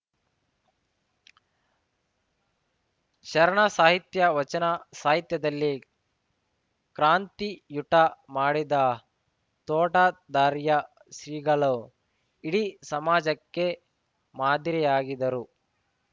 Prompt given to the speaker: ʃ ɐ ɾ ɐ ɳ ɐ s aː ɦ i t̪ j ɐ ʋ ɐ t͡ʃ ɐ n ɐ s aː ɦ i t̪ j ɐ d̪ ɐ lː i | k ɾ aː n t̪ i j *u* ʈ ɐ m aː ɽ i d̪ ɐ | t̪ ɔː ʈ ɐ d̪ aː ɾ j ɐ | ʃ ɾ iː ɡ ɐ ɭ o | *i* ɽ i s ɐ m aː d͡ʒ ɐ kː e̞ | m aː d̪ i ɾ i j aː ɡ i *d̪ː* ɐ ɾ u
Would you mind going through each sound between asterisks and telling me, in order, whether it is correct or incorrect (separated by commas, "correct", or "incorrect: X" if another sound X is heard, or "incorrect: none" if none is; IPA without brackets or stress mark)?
correct, correct, incorrect: d̪